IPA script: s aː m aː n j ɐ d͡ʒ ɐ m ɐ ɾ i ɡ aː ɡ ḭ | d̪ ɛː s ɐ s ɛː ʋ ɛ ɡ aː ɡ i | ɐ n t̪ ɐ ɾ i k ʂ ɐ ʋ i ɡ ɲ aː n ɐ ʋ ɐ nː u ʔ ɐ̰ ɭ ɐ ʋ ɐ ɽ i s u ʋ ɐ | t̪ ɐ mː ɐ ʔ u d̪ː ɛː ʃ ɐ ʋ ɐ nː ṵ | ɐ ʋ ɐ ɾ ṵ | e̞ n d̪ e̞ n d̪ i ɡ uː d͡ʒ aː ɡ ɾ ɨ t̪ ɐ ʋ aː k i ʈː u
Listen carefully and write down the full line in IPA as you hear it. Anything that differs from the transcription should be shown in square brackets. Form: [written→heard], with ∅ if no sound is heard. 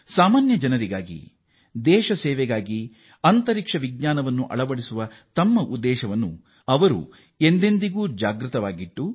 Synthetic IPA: s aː m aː n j ɐ d͡ʒ ɐ [m→n] ɐ ɾ i ɡ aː ɡ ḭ | d̪ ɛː [s→ʃ] ɐ s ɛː ʋ ɛ ɡ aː ɡ i | ɐ n t̪ ɐ ɾ i k ʂ ɐ ʋ i ɡ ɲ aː n ɐ ʋ ɐ nː u ʔ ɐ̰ ɭ ɐ ʋ ɐ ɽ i s u ʋ ɐ | t̪ ɐ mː ɐ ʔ u d̪ː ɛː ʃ ɐ ʋ ɐ nː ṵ | ɐ ʋ ɐ ɾ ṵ | e̞ n d̪ e̞ n d̪ i ɡ uː d͡ʒ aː ɡ ɾ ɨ t̪ ɐ ʋ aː [k→ɡ] i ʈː u

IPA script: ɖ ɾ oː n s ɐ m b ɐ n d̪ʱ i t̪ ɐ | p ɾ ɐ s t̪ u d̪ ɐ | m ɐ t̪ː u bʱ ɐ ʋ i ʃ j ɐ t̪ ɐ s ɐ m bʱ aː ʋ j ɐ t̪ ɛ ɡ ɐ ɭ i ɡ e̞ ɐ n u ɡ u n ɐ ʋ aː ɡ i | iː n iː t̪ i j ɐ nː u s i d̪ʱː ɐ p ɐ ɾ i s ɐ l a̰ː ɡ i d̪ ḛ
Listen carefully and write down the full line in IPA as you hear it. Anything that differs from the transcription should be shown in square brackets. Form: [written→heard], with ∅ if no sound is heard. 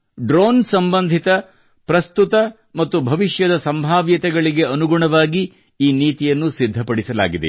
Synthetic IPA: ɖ ɾ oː n s ɐ m b ɐ n d̪ʱ i t̪ ɐ | p ɾ ɐ s t̪ u [d̪→t̪] ɐ | m ɐ t̪ː u bʱ ɐ ʋ i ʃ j ɐ [t̪→d̪] ɐ s ɐ m bʱ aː ʋ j ɐ t̪ ɛ ɡ ɐ ɭ i ɡ e̞ ɐ n u ɡ u [n→ɳ] ɐ ʋ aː ɡ i | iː n iː t̪ i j ɐ nː u s i d̪ʱː ɐ p ɐ [ɾ→ɽ] i s ɐ l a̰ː ɡ i d̪ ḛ

